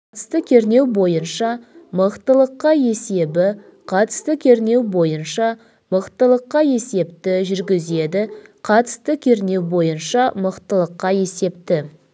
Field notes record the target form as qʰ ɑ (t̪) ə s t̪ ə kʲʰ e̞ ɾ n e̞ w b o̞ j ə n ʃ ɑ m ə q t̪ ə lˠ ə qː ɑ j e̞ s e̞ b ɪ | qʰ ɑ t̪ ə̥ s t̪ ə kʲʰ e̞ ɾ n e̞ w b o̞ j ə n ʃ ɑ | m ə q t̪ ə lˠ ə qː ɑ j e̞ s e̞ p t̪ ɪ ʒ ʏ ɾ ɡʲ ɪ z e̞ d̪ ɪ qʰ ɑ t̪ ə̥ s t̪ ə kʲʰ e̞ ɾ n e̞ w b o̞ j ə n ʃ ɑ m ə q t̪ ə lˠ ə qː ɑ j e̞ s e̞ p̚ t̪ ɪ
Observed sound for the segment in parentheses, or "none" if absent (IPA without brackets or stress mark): t̪